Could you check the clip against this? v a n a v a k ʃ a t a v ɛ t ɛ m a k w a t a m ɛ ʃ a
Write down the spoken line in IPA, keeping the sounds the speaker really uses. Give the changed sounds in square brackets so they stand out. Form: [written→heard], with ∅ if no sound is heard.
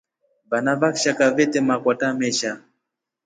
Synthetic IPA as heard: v a n a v a k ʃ a [t→k] a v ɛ t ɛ m a k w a t a m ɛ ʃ a